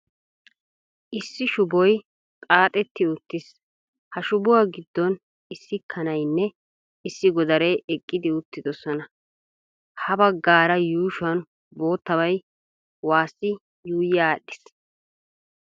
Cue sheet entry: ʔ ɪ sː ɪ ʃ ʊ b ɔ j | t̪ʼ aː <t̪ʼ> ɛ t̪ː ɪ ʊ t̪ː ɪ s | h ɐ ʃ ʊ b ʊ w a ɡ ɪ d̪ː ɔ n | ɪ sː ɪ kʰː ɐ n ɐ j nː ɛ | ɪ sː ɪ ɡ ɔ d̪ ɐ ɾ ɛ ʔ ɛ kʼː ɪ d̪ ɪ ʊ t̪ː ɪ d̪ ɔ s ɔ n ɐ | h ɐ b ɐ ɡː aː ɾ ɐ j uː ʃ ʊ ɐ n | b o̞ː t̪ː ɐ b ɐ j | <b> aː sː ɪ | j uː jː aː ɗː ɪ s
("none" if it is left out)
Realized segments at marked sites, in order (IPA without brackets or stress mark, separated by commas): t̪ʼ, w